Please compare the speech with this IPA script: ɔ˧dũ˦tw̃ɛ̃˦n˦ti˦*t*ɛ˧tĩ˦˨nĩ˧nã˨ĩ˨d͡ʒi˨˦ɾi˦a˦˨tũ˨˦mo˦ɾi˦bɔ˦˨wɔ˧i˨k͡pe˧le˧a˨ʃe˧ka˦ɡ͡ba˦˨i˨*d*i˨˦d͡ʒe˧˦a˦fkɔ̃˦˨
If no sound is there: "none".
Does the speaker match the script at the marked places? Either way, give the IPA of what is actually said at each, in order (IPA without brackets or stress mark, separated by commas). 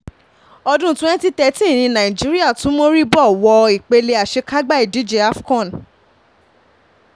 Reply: t, d